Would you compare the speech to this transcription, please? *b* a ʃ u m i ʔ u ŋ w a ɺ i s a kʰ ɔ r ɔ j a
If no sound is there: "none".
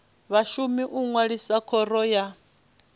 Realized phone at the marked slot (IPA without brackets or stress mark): β